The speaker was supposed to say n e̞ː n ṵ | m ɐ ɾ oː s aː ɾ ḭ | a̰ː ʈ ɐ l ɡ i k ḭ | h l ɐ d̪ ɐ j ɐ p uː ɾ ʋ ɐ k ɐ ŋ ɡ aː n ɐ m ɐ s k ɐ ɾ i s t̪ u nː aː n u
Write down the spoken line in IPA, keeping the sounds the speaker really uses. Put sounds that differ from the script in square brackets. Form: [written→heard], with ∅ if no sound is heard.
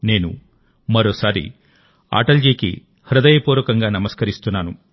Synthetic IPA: n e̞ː n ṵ | m ɐ ɾ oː s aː ɾ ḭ | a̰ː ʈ ɐ l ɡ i k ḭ | h [l→ɾ] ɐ d̪ ɐ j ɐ p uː ɾ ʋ ɐ k ɐ ŋ ɡ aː n ɐ m ɐ s k ɐ ɾ i s t̪ u nː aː n u